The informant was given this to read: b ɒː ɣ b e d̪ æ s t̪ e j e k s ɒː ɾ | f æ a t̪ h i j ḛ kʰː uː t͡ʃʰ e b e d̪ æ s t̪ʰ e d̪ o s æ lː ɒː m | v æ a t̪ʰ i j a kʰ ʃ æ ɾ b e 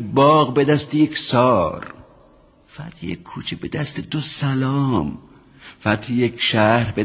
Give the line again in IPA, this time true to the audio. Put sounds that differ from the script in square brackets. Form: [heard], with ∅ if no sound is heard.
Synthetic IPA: b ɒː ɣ b e d̪ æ s t̪ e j e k s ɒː ɾ | f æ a t̪ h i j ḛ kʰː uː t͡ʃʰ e b e d̪ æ s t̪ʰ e d̪ o s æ [l] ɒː m | [f] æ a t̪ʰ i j [e] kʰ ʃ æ ɾ b e